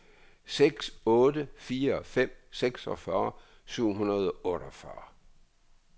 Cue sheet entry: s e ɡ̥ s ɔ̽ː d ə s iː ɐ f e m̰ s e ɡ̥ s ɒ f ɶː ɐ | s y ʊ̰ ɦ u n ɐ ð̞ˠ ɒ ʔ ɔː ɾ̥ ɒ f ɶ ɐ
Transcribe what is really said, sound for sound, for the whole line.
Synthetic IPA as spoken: s e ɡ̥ s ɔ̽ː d ə f iː ɐ f e m̰ s e ɡ̥ s ɒ f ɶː ɐ | s y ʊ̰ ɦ u n ɐ ð̞ˠ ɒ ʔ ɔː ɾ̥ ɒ f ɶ ɐ